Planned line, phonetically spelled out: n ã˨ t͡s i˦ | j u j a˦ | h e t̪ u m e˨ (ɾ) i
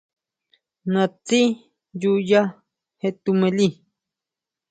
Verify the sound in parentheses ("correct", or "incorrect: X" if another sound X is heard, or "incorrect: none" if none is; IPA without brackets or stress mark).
incorrect: l